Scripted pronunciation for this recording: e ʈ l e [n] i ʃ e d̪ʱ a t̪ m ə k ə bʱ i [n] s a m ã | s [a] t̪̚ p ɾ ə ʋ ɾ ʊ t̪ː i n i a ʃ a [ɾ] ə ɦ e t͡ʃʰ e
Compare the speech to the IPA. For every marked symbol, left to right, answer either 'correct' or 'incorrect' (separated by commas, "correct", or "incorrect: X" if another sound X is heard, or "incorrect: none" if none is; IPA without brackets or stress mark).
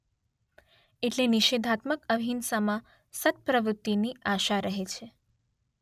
correct, correct, incorrect: ə, correct